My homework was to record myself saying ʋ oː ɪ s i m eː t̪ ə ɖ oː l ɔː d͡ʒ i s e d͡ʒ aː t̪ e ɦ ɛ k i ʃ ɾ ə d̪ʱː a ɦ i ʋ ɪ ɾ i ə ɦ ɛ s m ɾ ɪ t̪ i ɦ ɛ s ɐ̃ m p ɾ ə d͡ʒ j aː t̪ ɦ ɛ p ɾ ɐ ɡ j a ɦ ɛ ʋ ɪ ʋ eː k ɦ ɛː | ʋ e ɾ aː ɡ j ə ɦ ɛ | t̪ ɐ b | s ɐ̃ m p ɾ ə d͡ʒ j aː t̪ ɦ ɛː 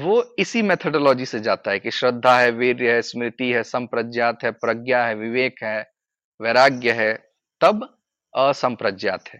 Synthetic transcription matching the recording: ʋ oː ɪ s i m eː t̪ʰ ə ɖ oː l ɔː d͡ʒ i s e d͡ʒ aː t̪ a ɦ ɛ k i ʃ ɾ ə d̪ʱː a ɦ ɛ ʋ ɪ ɾ j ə ɦ ɛ s m ɾ ɪ t̪ i ɦ ɛ s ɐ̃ m p ɾ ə d͡ʒ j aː t̪ ɦ ɛ p ɾ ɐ ɡ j a ɦ ɛ ʋ ɪ ʋ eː k ɦ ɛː | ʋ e ɾ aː ɡ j ə ɦ ɛ | t̪ ɐ b | s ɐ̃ m p ɾ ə d͡ʒ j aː t̪ ɦ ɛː